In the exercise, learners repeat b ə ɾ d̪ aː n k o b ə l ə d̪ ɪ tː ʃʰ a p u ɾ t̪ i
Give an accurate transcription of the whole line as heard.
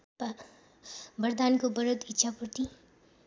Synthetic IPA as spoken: b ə ɾ d̪ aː n k o b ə ɾ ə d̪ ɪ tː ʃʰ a p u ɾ t̪ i